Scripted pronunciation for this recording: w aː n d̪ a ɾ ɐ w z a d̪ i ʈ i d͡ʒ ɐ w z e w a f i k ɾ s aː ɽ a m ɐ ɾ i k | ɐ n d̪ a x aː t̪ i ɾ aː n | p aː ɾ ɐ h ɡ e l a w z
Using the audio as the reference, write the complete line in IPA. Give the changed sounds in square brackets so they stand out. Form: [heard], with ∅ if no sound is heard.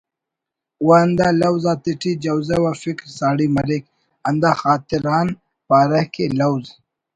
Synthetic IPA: w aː n d̪ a [l] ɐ w z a [t̪] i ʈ i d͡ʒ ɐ w z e w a f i k ɾ s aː ɽ [i] m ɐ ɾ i k | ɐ n d̪ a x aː t̪ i ɾ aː n | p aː ɾ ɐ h [k] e l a w z